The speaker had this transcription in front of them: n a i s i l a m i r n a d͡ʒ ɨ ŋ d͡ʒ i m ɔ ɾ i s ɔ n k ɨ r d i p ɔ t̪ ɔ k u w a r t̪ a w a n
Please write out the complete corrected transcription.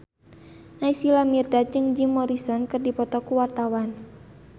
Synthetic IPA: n a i s i l a m i r d a d͡ʒ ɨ ŋ d͡ʒ i m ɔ ɾ i s ɔ n k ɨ r d i p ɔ t̪ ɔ k u w a r t̪ a w a n